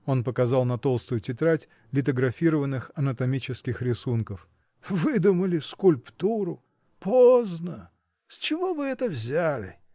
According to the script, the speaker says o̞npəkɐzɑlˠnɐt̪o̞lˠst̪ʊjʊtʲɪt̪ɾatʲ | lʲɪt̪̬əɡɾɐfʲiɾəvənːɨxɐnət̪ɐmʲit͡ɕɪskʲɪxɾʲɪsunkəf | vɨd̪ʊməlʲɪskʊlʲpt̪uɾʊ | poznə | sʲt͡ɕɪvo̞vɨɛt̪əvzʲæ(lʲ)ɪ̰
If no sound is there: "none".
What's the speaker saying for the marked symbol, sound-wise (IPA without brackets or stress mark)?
lʲ